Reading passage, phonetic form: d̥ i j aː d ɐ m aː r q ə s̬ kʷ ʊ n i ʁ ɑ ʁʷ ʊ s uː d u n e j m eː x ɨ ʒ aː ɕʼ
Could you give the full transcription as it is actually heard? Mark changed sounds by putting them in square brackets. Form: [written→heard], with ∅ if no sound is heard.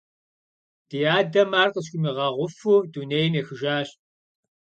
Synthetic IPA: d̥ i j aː d ɐ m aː r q ə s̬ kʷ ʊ [n→m] i ʁ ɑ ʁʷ ʊ [s→f] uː d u n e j m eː x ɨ ʒ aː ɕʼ